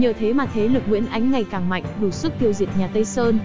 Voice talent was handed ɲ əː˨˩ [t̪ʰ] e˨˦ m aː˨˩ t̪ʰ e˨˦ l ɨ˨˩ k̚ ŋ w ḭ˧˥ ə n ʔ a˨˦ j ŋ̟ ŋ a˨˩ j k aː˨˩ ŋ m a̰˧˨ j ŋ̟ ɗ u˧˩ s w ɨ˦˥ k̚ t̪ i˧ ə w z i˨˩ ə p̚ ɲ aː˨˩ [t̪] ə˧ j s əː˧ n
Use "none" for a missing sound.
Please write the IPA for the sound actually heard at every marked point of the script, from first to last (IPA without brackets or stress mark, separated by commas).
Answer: t̪ʰ, t̪